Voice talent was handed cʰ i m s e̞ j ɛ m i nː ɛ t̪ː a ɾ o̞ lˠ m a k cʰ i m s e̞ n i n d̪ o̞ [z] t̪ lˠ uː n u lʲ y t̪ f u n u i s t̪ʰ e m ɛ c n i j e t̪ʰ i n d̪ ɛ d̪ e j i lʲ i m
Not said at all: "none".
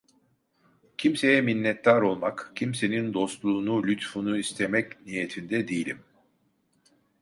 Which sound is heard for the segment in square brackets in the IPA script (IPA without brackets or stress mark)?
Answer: s